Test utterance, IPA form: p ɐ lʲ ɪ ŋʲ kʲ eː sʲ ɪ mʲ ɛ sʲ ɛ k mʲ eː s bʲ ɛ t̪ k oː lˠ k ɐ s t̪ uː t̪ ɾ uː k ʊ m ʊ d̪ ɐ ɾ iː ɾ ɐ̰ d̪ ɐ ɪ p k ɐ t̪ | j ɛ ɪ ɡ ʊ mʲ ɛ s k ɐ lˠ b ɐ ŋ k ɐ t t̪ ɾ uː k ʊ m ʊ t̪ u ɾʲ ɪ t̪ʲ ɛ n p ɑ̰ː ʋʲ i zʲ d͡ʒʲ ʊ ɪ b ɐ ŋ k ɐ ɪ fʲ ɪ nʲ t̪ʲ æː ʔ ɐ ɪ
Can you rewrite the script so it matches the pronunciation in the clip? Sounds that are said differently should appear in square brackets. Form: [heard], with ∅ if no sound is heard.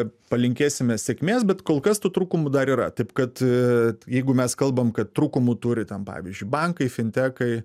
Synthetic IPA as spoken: p ɐ lʲ ɪ ŋʲ kʲ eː sʲ ɪ mʲ ɛ sʲ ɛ k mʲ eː s bʲ ɛ t̪ k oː lˠ k ɐ s t̪ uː t̪ ɾ uː k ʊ m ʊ d̪ ɐ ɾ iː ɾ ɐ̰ [t̪] ɐ ɪ p k ɐ t̪ | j ɛ ɪ ɡ ʊ mʲ ɛ s k ɐ lˠ b ɐ [m] k ɐ t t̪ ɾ uː k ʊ m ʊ t̪ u ɾʲ ɪ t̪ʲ ɛ n p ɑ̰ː ʋʲ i zʲ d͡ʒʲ ʊ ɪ b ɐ ŋ k ɐ ɪ fʲ ɪ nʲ t̪ʲ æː [k] ɐ ɪ